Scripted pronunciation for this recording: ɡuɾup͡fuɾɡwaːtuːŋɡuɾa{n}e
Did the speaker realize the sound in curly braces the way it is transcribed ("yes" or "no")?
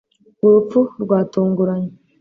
no